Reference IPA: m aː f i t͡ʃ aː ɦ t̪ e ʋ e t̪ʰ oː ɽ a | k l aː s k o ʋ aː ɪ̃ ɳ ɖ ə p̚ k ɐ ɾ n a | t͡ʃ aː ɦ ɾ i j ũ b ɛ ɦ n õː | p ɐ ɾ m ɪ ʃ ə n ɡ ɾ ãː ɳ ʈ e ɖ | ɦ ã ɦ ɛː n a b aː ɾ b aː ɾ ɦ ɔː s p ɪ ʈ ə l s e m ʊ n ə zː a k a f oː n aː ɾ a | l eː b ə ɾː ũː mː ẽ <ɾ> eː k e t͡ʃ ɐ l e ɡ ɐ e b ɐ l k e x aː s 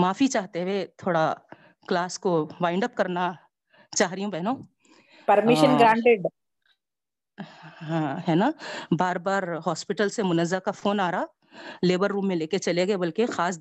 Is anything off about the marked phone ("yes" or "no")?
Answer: yes